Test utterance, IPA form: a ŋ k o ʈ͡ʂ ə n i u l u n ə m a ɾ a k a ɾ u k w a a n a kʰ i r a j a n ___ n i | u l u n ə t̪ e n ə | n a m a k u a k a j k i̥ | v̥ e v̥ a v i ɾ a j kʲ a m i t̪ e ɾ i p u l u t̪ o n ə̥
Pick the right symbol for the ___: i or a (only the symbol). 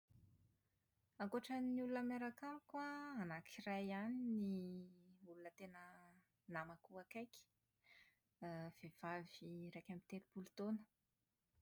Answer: i